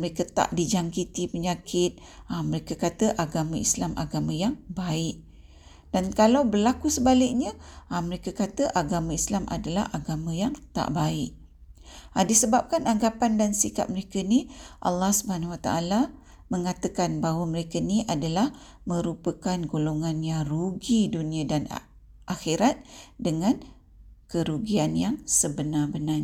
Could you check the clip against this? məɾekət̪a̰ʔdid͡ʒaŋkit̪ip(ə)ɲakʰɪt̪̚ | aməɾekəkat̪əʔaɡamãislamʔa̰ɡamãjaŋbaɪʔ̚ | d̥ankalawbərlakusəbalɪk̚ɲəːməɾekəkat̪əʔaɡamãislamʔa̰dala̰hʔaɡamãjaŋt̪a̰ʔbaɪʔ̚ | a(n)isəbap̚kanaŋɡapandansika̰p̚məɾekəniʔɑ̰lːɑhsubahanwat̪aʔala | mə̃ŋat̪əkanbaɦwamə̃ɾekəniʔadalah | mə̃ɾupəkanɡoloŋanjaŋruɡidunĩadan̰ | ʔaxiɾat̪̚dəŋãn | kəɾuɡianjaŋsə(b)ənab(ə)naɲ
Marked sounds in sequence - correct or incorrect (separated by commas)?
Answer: correct, incorrect, correct, correct